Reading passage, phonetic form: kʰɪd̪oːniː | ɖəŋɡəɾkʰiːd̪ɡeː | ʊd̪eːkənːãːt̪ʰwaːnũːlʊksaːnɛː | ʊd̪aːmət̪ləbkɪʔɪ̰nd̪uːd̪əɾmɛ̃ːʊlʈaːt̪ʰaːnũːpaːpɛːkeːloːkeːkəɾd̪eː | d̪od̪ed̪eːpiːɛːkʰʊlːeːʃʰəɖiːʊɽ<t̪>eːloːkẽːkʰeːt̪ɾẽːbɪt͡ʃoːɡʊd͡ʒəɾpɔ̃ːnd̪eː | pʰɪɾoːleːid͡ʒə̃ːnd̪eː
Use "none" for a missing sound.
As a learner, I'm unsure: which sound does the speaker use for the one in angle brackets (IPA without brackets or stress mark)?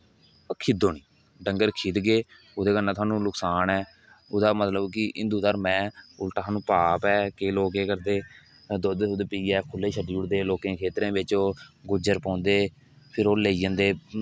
d̪